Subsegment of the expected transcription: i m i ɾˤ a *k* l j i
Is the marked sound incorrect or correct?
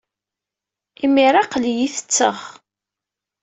incorrect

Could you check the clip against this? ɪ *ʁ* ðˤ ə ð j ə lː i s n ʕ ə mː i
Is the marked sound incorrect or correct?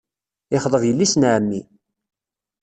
incorrect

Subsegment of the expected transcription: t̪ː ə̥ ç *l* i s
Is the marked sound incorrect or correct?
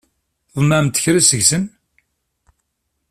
incorrect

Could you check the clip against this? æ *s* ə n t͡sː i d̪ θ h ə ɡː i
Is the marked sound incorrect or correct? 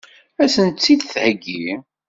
correct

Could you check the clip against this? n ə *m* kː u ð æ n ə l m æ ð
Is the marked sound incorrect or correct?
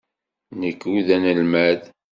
incorrect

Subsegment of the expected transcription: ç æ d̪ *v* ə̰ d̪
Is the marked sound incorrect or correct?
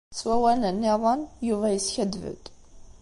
correct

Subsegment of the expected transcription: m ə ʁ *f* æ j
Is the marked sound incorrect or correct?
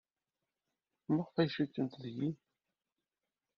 correct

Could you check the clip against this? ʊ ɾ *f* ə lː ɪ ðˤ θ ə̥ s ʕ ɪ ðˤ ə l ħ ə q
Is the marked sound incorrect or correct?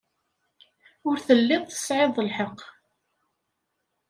incorrect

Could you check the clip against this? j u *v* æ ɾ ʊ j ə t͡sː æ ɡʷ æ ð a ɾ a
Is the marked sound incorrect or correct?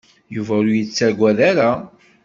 correct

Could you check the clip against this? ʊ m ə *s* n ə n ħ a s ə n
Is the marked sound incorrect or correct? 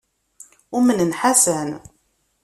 incorrect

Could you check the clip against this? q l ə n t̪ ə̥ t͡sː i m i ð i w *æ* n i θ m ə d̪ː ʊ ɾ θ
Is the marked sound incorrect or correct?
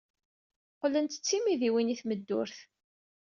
incorrect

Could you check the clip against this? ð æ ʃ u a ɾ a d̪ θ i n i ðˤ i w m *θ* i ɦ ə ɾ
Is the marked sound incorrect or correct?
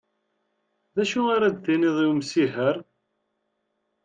incorrect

